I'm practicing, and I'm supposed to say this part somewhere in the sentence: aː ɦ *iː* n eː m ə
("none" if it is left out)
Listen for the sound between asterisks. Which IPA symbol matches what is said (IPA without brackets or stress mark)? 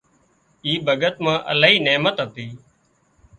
iː